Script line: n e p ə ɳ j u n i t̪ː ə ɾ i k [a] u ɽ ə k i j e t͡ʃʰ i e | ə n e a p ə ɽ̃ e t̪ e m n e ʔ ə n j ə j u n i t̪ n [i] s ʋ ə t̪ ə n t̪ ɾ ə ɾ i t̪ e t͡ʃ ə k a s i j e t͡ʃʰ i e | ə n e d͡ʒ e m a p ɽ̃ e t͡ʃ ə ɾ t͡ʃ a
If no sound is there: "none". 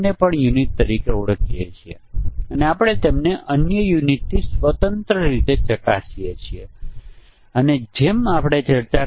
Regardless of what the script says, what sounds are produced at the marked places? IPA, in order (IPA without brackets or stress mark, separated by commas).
e, i